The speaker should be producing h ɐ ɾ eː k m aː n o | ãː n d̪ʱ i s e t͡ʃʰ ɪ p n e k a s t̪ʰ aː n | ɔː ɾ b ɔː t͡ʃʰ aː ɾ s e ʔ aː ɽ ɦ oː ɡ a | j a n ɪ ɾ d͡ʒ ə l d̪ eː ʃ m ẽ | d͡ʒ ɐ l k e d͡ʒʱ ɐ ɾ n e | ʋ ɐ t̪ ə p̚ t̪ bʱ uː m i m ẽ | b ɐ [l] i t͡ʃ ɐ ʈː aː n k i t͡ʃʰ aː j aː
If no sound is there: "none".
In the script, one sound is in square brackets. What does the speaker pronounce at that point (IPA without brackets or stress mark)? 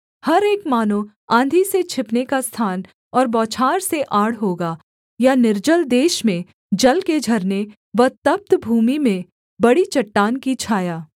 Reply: ɽ